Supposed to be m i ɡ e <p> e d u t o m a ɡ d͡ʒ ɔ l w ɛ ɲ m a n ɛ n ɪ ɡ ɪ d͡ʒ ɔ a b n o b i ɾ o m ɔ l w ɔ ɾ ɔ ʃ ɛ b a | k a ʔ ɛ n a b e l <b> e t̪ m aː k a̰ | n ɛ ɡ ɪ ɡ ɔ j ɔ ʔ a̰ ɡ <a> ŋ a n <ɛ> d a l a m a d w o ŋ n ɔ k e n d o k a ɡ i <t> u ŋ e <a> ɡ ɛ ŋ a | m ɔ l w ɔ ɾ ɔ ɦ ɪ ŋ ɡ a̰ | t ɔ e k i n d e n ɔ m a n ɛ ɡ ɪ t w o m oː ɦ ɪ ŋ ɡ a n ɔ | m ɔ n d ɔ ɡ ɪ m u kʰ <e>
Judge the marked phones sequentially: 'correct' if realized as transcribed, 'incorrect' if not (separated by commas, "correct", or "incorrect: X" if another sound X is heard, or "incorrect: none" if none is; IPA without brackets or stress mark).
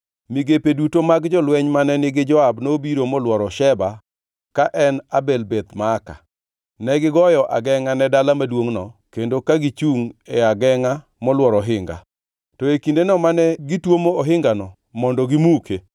correct, correct, incorrect: ɛ, correct, incorrect: t͡ʃ, correct, correct